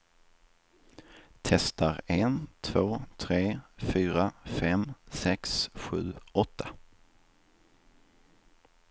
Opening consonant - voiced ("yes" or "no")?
no